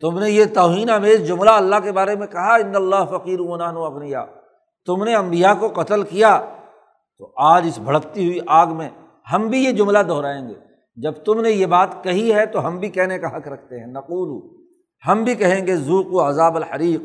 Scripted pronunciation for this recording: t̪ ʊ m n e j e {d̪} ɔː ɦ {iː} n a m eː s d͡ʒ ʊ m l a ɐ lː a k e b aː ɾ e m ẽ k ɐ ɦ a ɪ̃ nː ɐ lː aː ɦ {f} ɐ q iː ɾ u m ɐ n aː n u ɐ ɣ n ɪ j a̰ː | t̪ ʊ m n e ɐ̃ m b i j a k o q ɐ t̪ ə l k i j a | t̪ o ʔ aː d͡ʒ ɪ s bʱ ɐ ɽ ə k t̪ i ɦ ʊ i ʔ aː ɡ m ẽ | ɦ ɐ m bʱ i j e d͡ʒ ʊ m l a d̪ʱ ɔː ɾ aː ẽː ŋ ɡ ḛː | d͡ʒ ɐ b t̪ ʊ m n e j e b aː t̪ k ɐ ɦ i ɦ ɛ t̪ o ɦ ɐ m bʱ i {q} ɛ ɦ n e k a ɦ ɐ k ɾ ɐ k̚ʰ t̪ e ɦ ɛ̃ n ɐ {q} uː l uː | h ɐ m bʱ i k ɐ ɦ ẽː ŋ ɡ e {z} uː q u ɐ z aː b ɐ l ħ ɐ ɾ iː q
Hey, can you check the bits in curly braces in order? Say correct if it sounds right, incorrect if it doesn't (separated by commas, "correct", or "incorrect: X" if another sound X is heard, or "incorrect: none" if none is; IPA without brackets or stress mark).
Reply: incorrect: t̪, correct, correct, incorrect: k, correct, correct